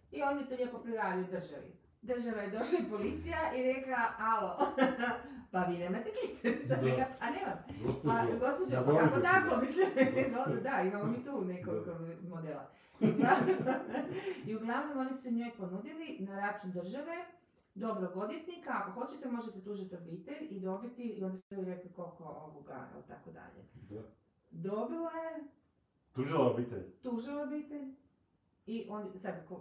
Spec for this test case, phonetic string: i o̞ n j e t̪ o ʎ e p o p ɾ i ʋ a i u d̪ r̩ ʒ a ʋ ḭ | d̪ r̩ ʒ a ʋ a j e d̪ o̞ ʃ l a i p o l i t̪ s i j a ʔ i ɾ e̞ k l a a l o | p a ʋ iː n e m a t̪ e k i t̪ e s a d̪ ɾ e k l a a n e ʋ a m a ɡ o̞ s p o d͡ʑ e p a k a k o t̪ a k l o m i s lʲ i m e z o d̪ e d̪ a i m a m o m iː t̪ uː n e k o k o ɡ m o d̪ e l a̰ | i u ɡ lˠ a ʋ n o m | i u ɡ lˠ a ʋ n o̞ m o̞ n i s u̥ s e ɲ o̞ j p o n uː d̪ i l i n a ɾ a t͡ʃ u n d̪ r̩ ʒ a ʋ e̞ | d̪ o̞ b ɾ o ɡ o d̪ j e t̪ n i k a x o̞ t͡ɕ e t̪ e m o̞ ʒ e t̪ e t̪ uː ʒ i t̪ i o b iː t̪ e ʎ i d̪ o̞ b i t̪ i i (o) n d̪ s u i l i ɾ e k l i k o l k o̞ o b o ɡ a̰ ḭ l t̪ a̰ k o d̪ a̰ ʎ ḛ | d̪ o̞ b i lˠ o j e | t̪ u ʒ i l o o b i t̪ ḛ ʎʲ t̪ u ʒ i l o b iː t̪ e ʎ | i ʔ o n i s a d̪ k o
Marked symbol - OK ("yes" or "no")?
yes